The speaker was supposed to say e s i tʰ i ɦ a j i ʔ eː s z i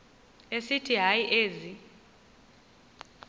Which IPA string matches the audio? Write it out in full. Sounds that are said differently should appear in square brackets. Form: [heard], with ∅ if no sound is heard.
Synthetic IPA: e s i tʰ i ɦ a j i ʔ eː [∅] z i